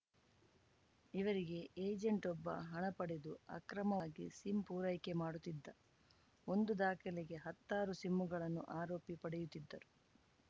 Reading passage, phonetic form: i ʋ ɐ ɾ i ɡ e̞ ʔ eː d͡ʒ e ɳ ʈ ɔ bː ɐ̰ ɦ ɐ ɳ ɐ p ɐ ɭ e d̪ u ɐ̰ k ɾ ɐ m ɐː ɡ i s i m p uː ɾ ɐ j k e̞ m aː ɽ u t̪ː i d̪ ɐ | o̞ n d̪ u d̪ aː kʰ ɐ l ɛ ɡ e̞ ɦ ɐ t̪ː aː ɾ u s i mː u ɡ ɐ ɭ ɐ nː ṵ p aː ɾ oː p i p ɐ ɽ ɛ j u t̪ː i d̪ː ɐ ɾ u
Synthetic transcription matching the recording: i ʋ ɐ ɾ i ɡ e̞ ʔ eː d͡ʒ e ɳ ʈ ɔ bː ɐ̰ ɦ ɐ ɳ ɐ p ɐ ɽ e d̪ u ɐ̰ k ɾ ɐ m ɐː ɡ i s i m p uː ɾ ɐ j k e̞ m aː ɽ u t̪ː i d̪ː ɐ | o̞ n d̪ u d̪ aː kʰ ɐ l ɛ ɡ e̞ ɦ ɐ t̪ː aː ɾ u s i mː u ɡ ɐ ɭ ɐ nː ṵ ʔ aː ɾ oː p i p ɐ ɽ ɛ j u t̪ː i d̪ː ɐ ɾ u